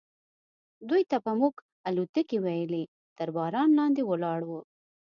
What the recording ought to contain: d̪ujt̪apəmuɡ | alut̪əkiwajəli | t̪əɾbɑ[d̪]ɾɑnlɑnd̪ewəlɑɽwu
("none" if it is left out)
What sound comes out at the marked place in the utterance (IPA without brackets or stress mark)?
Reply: none